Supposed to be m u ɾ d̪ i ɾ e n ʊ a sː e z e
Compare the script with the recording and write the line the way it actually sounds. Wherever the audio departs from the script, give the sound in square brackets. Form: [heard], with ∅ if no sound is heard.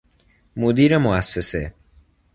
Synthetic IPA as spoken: m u [∅] d̪ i ɾ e [m] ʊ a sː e [s] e